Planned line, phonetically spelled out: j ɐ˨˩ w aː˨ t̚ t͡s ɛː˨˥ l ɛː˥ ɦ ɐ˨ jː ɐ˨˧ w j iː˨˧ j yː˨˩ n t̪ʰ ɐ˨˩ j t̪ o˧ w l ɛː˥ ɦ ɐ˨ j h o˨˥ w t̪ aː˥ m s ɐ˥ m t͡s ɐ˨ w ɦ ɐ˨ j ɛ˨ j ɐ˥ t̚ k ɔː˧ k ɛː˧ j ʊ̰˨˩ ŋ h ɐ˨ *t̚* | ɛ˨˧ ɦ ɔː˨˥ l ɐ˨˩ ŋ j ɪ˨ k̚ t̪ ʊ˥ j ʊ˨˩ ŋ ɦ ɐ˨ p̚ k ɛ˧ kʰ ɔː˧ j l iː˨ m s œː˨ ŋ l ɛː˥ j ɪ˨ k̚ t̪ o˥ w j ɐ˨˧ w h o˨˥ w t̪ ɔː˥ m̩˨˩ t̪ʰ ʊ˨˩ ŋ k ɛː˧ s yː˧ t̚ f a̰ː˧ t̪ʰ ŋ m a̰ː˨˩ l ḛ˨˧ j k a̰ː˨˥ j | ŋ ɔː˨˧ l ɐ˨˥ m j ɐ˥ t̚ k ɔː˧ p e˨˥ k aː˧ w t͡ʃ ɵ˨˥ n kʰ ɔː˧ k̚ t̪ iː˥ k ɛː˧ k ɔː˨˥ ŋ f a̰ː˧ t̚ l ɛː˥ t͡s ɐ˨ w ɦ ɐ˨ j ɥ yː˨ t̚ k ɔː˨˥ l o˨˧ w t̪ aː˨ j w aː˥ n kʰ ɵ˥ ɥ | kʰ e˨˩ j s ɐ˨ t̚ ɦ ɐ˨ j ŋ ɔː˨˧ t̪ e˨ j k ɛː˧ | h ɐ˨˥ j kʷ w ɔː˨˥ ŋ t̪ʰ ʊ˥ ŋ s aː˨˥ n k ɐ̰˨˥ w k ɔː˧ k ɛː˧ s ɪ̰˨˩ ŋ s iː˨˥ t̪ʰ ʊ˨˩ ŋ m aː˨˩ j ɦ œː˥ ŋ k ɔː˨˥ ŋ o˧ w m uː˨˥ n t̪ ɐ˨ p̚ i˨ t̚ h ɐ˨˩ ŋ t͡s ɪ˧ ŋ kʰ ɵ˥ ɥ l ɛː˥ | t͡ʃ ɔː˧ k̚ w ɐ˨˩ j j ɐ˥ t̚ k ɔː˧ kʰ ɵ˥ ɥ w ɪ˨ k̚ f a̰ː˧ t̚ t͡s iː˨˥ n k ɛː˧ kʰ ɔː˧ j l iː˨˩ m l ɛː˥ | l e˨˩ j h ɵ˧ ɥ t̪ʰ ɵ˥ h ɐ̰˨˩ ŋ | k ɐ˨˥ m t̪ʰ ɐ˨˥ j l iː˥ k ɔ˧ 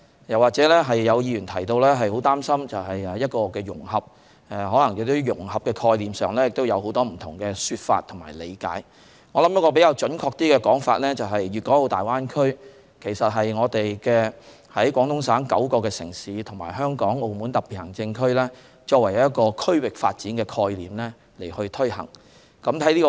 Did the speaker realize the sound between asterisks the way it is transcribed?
no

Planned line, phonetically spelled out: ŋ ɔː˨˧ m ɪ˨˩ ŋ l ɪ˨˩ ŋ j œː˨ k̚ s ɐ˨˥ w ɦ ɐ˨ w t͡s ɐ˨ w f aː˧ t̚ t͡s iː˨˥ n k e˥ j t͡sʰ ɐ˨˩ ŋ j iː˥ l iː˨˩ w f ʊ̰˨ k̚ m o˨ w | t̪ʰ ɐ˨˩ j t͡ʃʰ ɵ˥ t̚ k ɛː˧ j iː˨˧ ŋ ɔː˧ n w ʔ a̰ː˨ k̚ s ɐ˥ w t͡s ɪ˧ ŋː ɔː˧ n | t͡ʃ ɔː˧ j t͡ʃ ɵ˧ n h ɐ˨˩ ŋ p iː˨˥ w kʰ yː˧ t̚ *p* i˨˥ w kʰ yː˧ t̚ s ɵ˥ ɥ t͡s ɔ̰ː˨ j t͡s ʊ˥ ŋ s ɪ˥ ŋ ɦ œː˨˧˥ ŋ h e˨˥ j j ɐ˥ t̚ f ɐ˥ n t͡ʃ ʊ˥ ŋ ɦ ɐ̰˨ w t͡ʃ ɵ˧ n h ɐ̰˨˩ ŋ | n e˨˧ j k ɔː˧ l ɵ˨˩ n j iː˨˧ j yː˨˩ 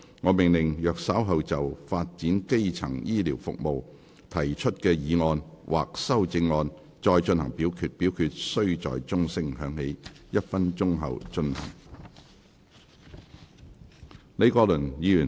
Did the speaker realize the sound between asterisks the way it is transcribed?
yes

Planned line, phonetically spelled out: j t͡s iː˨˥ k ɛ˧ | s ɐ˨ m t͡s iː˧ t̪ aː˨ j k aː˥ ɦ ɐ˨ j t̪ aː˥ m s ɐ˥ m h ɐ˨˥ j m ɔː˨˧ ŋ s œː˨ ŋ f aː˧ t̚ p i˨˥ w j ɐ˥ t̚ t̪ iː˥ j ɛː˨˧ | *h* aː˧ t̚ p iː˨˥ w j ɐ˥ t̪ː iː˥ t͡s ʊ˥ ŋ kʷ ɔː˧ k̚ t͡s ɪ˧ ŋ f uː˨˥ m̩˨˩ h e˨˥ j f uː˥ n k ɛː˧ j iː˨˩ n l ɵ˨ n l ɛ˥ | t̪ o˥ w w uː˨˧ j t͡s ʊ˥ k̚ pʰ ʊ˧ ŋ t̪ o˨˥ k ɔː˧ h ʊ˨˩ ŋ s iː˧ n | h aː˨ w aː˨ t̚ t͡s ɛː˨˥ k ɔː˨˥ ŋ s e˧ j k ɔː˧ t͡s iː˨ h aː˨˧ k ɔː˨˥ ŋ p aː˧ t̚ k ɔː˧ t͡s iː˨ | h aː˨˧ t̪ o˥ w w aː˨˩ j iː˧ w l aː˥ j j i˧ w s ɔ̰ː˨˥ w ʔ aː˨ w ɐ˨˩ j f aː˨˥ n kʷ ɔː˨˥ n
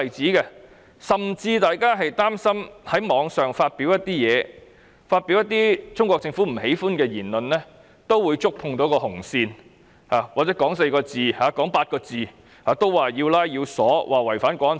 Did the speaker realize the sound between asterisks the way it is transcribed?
no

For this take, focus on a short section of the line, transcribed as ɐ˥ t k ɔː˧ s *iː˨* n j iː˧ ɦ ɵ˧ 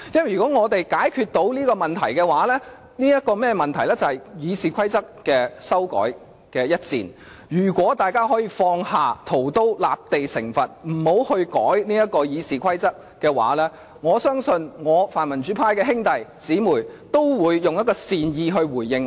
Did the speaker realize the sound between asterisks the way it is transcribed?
yes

